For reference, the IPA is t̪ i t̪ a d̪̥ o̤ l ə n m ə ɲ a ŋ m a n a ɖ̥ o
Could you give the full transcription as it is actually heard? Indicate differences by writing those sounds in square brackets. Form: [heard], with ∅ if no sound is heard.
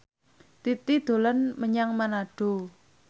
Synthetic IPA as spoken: t̪ i t̪ [i] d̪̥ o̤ l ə n m ə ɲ a ŋ m a n a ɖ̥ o